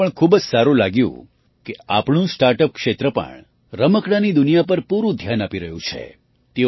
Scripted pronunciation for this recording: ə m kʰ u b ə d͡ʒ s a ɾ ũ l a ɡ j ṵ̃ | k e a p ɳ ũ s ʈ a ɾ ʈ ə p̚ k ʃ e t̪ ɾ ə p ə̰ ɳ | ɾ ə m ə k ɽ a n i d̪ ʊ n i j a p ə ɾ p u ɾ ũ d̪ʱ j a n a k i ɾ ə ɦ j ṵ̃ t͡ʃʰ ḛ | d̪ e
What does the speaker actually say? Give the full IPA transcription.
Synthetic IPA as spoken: ə ɳ kʰ u b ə d͡ʒ s a ɾ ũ l a ɡ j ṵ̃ | k e a p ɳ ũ s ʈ a ɾ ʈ ə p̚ k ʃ e t̪ ɾ ə p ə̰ ɳ | ɾ ə m ə k ɽ a n i d̪ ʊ n i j a p ə ɾ p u ɾ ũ d̪ʱ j a n a p i ɾ ə ɦ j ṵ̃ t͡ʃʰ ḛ | t̪ e